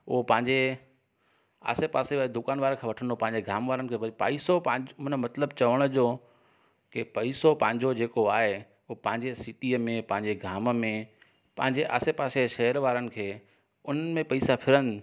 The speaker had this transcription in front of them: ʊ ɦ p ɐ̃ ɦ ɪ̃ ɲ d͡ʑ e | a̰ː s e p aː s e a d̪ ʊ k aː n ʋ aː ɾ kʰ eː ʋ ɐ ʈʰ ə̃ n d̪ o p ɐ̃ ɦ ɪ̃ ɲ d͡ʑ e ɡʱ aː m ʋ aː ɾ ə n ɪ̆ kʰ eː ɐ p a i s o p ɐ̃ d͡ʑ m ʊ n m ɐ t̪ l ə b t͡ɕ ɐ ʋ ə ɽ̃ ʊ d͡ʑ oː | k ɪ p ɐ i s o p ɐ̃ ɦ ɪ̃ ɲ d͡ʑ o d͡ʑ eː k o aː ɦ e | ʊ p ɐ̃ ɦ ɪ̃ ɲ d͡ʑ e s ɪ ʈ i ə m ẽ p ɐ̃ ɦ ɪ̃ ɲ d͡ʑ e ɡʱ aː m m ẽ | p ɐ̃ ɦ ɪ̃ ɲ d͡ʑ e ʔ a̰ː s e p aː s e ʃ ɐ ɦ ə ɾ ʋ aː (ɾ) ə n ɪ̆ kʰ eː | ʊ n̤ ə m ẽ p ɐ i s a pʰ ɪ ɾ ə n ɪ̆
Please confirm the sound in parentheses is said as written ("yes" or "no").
yes